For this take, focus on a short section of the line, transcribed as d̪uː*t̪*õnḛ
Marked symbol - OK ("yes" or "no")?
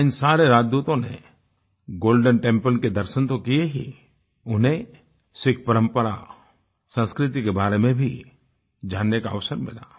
yes